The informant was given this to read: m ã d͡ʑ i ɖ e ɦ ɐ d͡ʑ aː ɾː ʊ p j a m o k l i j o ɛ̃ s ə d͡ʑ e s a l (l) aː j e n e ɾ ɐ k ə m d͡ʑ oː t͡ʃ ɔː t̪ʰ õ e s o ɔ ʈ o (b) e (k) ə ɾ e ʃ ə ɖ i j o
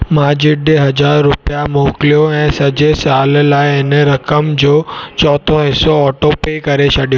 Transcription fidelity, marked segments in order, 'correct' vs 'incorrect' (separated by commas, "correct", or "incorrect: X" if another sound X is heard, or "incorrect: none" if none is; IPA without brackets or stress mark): correct, incorrect: p, correct